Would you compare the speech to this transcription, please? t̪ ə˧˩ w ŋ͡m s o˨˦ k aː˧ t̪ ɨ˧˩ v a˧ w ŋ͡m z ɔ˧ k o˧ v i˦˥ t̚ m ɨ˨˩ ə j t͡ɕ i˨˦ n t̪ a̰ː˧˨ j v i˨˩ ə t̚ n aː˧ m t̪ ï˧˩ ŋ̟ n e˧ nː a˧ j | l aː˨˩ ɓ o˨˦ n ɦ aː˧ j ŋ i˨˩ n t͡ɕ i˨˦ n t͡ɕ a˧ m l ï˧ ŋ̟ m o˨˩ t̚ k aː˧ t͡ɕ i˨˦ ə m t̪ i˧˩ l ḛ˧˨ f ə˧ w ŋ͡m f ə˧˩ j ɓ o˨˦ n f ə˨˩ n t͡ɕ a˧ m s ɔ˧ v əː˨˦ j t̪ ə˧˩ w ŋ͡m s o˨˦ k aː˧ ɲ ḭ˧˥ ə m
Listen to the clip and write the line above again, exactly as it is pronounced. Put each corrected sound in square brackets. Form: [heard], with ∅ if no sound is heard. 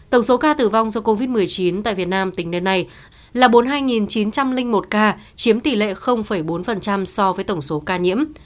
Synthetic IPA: t̪ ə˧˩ w ŋ͡m s o˨˦ k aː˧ t̪ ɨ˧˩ v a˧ w ŋ͡m z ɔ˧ k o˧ v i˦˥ t̚ m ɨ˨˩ ə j t͡ɕ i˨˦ n t̪ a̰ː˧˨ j v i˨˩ ə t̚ n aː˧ m t̪ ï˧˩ ŋ̟ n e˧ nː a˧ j | l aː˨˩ ɓ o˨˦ n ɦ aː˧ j ŋ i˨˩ n t͡ɕ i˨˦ n t͡ɕ a˧ m l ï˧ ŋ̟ m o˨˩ t̚ k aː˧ t͡ɕ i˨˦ ə m t̪ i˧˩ l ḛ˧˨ [x] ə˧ w ŋ͡m f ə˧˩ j ɓ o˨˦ n f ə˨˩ n t͡ɕ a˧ m s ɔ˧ v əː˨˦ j t̪ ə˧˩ w ŋ͡m s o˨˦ k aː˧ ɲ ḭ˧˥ ə m